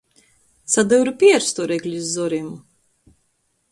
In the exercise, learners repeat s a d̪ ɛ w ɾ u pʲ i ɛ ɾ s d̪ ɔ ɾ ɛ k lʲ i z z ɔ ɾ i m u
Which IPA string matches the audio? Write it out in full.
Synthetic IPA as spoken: s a d̪ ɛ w ɾ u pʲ i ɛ ɾ s t̪ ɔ ɾ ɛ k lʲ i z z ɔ ɾ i m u